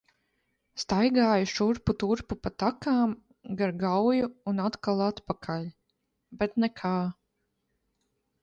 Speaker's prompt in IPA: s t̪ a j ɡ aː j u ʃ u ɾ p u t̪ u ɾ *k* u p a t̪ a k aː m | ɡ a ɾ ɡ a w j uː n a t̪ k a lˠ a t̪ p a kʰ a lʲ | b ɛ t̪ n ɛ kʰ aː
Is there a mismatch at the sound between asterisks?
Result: yes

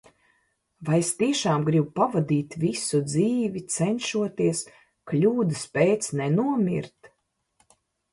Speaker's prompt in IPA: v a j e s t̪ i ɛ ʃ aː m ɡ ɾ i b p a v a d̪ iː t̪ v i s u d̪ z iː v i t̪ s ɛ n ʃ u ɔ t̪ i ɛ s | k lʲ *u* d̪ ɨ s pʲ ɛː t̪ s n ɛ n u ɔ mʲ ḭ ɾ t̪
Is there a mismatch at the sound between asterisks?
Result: yes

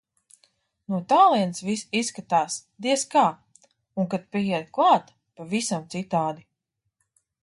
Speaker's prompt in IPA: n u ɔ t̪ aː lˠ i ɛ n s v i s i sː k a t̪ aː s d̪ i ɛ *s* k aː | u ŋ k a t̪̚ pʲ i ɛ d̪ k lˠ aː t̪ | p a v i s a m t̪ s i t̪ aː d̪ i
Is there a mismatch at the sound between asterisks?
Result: no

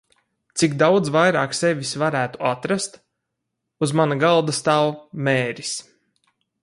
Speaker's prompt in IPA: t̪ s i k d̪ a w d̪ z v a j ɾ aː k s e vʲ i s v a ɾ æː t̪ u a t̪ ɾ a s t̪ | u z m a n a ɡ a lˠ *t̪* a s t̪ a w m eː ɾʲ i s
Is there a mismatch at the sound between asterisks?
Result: yes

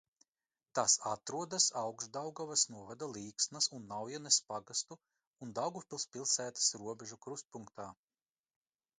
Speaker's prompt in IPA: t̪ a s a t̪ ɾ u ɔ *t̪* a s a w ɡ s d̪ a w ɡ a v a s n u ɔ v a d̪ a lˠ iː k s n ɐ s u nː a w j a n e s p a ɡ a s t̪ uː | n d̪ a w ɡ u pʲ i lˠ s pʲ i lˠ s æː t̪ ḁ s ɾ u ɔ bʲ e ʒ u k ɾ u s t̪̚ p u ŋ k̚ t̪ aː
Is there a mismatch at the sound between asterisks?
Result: yes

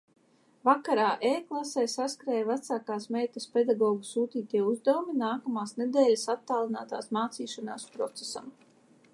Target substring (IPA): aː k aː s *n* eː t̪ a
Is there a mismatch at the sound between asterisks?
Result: yes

